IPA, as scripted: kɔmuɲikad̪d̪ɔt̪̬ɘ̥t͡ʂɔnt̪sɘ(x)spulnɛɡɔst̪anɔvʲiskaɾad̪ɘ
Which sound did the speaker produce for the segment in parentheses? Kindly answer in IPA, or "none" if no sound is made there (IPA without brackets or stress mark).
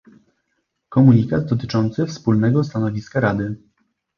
f